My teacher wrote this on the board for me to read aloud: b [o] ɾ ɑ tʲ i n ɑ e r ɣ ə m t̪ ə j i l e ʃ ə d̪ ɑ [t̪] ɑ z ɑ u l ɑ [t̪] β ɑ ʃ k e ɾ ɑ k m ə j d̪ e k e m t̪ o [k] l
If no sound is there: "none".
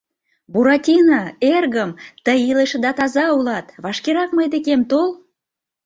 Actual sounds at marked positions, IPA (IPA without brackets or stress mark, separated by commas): u, t̪, t̪, none